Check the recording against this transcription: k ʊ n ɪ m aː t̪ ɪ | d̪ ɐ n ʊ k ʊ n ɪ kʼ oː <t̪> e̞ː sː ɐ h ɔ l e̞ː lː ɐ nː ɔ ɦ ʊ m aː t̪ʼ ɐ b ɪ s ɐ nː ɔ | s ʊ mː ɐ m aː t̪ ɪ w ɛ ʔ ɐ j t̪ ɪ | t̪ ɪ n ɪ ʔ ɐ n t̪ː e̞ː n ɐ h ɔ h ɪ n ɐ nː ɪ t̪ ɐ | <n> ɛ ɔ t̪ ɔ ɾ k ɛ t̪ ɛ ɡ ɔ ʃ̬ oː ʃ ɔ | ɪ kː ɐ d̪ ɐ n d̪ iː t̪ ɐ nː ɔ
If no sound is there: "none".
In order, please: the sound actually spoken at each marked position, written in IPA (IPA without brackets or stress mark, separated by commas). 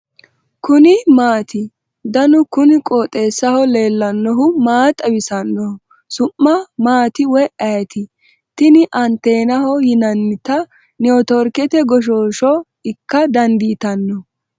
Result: t̪ʼ, n